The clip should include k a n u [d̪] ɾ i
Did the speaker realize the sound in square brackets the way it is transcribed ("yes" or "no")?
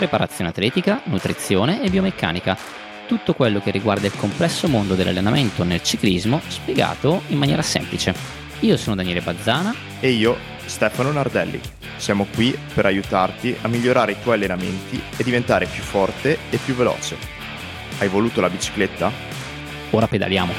no